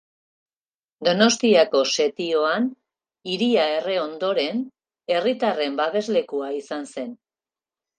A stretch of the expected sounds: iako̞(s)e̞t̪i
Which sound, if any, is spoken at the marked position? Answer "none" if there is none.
s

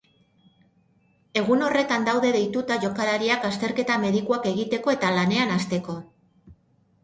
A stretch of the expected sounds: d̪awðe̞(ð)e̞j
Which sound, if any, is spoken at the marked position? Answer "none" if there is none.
ð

